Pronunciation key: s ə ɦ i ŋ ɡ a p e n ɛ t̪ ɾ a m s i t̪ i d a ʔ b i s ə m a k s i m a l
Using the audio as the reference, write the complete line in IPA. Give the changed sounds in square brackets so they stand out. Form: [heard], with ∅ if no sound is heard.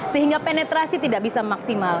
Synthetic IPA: s ə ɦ i ŋ ɡ a p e n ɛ t̪ ɾ a [∅] s i t̪ i d a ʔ b i s [a] m a k s i m a l